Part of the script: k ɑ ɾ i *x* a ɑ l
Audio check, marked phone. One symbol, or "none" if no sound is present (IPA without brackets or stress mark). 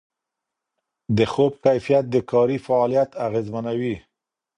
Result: f